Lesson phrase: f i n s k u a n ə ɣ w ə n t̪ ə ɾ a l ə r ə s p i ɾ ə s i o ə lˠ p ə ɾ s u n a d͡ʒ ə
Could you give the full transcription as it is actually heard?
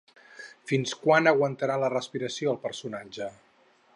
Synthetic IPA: f i n s k w a n ə ɣ w ə n t̪ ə ɾ a l ə r ə s p i ɾ ə s i o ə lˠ p ə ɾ s u n a d͡ʒ ə

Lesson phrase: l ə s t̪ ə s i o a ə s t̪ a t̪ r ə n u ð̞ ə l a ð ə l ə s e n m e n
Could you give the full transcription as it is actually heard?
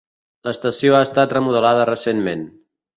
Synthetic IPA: l ə s t̪ ə s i o a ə s t̪ a t̪ r ə m u ð̞ ə l a ð ə r ə s e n m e n

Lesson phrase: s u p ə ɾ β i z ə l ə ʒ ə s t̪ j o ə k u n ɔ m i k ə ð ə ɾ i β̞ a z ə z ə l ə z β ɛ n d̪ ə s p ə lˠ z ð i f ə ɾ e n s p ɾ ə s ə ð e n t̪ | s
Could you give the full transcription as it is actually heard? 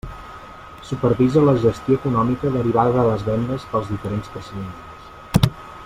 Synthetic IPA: s u p ə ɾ β i z ə l ə ʒ ə s t̪ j o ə k u n ɔ m i k ə ð ə ɾ i β̞ a ð ə ð ə l ə z β ɛ n d̪ ə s p ə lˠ z ð i f ə ɾ e n s p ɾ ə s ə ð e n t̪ | s

